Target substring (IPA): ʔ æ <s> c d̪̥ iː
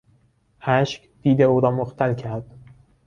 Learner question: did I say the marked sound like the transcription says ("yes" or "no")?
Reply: no